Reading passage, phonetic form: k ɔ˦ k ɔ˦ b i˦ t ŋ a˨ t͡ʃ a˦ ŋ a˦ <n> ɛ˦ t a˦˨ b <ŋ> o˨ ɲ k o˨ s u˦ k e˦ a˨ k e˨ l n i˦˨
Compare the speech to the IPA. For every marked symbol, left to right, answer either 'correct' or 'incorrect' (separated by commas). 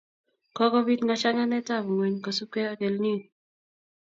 correct, correct